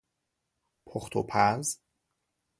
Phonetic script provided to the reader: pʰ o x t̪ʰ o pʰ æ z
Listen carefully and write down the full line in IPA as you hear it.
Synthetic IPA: pʰ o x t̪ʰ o pʰ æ z